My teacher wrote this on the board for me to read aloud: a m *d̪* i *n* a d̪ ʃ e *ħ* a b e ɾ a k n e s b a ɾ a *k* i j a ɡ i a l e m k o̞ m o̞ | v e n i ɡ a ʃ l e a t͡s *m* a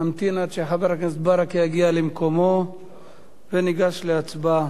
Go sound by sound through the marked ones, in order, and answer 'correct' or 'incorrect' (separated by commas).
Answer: incorrect, correct, correct, correct, incorrect